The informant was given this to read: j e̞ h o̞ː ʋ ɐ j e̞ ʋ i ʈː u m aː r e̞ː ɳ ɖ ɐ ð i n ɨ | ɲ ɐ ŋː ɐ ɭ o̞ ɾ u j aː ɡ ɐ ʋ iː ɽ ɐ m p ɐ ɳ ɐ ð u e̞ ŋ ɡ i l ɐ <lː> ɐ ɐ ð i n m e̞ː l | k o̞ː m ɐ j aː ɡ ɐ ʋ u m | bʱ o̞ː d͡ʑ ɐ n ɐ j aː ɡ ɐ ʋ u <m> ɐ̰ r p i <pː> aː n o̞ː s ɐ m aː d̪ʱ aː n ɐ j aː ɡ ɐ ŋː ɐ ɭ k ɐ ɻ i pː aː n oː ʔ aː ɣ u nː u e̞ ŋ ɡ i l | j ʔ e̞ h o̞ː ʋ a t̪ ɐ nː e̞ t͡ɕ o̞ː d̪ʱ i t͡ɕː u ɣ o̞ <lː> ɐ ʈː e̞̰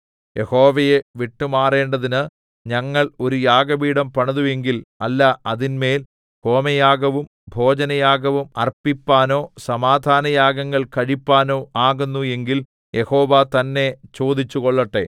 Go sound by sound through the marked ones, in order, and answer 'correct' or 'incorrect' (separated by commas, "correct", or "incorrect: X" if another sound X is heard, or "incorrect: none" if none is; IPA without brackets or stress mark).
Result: correct, correct, correct, incorrect: ɭː